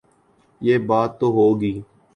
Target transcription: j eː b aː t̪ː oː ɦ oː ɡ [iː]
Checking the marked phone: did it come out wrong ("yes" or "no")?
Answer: no